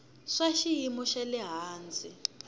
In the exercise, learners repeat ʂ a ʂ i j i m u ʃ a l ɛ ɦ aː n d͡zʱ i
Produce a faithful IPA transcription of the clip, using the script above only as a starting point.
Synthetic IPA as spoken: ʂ a ʃ i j i m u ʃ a l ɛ ɦ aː n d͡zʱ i